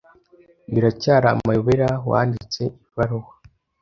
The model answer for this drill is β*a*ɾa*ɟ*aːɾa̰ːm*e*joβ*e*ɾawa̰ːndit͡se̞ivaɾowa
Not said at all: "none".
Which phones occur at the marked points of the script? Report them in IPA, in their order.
i, c, a, e

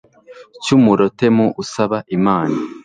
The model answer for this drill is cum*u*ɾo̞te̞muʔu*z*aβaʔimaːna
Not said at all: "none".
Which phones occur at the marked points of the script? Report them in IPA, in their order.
u, s

